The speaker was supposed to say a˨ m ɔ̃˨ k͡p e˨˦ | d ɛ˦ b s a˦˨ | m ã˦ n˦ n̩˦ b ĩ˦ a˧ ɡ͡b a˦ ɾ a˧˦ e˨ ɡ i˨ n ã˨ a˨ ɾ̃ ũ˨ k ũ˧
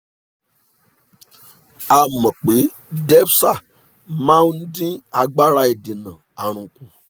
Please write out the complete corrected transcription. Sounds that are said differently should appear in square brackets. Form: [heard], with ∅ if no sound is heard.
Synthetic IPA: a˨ m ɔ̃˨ k͡p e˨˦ | d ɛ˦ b s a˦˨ | m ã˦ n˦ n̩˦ [d] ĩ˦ a˧ ɡ͡b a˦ ɾ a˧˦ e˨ [d] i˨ n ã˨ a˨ ɾ̃ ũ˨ k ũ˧